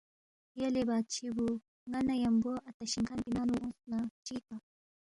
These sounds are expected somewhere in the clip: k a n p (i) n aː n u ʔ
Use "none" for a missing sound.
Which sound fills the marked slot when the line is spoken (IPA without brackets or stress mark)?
i